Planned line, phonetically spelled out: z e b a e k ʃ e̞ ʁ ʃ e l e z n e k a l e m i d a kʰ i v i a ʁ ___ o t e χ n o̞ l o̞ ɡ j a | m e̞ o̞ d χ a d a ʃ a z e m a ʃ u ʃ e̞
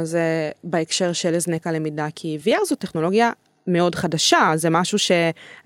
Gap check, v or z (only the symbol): z